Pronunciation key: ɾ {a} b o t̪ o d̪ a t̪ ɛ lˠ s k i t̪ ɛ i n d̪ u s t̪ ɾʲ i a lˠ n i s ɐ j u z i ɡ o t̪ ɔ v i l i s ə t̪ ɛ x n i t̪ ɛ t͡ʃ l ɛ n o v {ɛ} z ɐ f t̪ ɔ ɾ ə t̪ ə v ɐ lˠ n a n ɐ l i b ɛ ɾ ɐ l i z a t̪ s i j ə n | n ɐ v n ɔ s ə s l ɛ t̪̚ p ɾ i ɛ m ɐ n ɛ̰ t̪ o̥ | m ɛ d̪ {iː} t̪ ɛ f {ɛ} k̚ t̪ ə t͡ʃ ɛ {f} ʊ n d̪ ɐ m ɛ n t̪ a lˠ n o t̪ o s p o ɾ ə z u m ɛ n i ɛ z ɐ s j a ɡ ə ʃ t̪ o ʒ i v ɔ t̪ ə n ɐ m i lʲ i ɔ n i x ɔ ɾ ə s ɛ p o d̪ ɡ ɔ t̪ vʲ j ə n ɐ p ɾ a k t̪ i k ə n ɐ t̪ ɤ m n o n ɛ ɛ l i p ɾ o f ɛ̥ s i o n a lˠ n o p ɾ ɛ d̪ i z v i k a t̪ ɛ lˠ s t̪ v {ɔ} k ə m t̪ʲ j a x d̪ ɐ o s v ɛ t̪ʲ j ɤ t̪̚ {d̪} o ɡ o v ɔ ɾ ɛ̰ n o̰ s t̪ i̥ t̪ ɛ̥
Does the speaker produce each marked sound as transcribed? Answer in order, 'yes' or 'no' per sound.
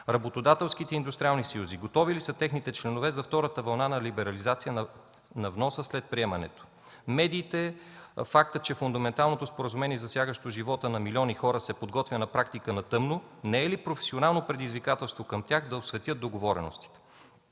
no, yes, yes, no, yes, no, yes

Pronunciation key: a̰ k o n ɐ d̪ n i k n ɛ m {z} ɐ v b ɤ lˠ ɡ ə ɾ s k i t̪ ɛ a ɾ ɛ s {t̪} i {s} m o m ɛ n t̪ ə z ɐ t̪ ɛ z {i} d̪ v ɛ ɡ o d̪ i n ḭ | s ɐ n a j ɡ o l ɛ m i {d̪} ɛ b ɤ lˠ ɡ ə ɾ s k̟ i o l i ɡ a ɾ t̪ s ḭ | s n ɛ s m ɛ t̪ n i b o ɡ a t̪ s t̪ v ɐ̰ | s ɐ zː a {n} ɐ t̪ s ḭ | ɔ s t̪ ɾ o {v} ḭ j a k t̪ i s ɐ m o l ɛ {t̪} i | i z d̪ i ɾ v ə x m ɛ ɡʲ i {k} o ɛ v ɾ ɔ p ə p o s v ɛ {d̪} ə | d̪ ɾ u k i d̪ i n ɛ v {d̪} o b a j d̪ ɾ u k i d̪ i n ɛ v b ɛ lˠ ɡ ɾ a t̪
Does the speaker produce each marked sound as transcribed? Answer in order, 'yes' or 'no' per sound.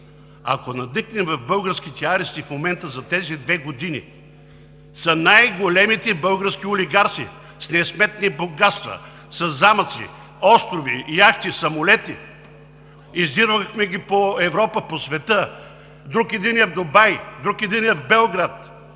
no, yes, no, yes, no, no, yes, yes, no, no, yes

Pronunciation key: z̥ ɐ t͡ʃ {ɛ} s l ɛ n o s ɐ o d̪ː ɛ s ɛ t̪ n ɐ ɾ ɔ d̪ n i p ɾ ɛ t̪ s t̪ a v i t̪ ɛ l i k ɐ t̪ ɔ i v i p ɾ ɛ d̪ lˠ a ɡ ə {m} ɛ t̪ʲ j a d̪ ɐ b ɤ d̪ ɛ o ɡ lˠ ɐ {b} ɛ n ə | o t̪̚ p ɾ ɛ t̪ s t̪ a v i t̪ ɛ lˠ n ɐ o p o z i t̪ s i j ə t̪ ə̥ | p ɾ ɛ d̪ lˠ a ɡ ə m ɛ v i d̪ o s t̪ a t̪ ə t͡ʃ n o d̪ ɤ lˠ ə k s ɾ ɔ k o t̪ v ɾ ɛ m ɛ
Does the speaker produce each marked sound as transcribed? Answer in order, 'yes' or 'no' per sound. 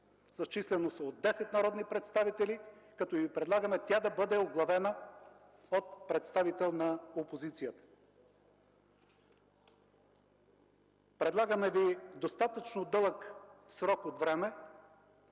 no, yes, no

